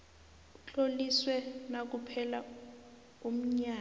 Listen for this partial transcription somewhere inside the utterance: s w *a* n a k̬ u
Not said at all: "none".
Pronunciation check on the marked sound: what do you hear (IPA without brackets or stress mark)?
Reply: ɛ